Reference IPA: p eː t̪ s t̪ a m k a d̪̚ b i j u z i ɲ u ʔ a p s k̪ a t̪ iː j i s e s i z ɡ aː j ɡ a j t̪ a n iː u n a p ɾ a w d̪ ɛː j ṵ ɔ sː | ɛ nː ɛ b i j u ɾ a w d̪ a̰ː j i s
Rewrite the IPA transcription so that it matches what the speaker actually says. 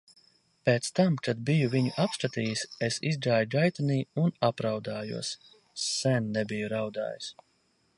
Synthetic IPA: p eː t̪ s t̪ a m k a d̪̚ b i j u v i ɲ u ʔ a p s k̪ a t̪ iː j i s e s i z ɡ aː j ɡ a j t̪ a n iː u n a p ɾ a w d̪ aː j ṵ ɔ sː | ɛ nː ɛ b i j u ɾ a w d̪ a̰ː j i s